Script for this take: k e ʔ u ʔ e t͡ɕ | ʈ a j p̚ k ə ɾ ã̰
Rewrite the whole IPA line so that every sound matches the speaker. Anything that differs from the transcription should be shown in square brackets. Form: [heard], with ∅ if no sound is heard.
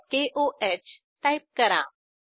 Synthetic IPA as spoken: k e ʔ [o] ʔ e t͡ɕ | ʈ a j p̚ k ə ɾ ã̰